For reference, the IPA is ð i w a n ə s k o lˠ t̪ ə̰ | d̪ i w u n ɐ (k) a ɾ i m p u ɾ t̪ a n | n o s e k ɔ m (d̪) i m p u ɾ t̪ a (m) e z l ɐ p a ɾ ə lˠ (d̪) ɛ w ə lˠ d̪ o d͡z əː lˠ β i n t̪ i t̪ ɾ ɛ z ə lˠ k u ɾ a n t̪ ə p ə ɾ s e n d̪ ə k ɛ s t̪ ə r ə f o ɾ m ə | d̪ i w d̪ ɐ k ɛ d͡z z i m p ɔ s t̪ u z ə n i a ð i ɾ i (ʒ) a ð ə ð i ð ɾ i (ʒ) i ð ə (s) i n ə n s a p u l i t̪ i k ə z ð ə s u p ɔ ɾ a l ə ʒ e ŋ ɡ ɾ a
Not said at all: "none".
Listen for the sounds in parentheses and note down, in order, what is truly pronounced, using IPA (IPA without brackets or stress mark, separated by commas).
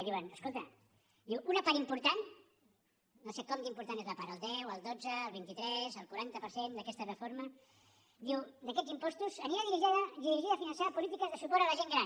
p, d̪, n, d̪, ʒ, ʒ, f